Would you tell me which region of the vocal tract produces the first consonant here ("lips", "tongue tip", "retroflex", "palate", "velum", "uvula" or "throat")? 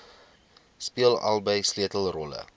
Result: tongue tip